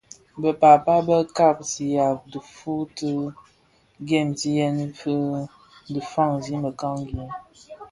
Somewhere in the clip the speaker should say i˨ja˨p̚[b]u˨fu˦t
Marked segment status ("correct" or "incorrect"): incorrect